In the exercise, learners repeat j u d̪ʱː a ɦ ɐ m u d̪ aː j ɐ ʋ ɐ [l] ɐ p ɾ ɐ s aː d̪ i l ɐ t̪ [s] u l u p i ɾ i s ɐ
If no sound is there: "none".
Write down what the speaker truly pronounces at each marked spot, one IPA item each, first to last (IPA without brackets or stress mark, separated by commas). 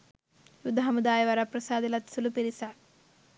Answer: ɾ, s